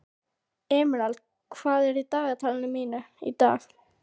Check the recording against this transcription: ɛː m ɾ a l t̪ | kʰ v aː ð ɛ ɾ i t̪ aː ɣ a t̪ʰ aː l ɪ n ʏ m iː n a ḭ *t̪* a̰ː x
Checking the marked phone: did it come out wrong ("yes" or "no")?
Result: no